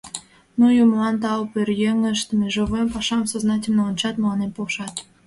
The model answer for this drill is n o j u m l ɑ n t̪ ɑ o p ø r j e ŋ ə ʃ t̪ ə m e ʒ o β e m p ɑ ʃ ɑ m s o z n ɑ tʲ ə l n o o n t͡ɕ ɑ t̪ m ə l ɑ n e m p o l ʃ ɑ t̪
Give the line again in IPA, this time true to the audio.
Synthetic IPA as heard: n u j u m l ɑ n t̪ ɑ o p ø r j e ŋ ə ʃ t̪ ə m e ʒ o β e m p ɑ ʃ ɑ m s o z n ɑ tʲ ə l n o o n t͡ɕ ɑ t̪ m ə l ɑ n e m p o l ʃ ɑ t̪